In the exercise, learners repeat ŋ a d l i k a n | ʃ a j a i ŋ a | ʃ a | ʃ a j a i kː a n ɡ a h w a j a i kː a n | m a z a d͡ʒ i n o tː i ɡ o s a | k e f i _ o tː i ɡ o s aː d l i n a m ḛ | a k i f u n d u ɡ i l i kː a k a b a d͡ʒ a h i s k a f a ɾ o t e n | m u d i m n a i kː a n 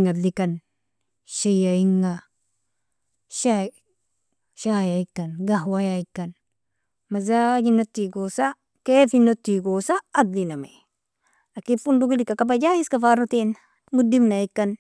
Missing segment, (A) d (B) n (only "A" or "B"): B